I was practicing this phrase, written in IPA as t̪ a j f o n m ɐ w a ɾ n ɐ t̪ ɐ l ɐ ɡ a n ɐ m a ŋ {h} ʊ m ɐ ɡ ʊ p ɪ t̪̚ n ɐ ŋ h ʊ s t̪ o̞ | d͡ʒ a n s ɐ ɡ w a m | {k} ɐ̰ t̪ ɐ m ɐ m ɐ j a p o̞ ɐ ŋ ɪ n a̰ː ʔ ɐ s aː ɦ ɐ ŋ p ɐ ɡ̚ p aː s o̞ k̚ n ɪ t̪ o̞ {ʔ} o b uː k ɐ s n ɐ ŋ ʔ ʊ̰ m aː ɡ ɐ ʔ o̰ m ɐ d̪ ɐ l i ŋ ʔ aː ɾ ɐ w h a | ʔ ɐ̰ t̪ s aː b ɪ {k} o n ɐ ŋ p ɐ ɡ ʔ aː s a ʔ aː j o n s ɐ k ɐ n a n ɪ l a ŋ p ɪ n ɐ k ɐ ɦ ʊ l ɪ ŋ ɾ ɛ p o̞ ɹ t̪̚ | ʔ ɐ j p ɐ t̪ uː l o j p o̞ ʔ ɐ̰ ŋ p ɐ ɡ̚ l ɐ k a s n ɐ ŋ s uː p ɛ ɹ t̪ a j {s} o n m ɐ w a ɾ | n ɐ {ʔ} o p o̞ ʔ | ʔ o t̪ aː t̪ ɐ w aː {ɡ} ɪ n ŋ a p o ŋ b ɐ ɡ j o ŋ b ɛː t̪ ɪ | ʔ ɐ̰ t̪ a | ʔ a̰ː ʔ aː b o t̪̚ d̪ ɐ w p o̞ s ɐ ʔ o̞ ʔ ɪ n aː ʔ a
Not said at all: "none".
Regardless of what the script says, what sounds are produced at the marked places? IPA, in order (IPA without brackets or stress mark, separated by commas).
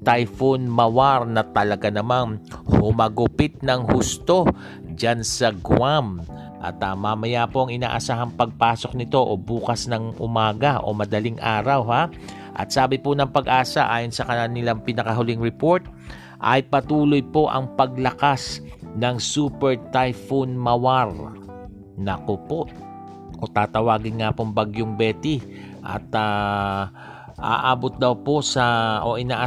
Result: h, ʔ, ʔ, p, f, k, ɡ